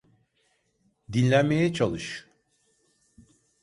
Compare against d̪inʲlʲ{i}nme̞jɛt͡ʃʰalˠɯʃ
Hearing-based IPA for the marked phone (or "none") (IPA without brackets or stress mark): æ